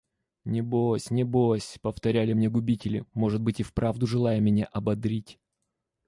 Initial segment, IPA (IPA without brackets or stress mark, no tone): nʲ